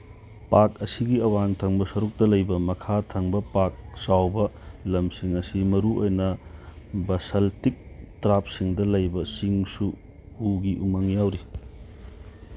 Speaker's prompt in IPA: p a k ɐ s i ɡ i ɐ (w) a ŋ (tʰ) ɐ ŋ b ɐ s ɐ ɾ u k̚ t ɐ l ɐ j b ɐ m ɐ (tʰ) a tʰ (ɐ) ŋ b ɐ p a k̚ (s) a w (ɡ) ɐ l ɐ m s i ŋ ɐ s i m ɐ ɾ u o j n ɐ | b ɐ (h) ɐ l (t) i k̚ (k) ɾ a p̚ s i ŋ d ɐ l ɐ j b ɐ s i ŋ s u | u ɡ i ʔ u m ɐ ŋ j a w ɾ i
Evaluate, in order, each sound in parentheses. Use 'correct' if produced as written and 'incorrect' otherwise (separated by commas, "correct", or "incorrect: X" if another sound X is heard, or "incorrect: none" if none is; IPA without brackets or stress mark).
correct, correct, incorrect: kʰ, correct, correct, incorrect: b, incorrect: s, correct, incorrect: t